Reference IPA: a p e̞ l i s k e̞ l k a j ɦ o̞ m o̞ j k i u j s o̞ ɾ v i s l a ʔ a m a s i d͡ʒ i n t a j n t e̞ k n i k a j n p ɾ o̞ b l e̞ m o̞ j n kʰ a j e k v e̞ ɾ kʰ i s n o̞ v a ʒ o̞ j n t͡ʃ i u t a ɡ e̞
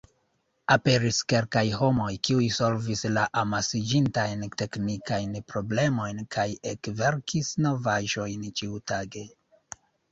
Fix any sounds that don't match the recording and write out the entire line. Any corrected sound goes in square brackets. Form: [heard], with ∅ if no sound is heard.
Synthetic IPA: a p e̞ [ɾ] i s k e̞ l k a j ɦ o̞ m o̞ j k i u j s o̞ [l] v i s l a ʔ a m a s i d͡ʒ i n t a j n t e̞ k n i k a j n p ɾ o̞ b l e̞ m o̞ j n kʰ a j e k v e̞ ɾ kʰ i s n o̞ v a ʒ o̞ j n t͡ʃ i u t a ɡ e̞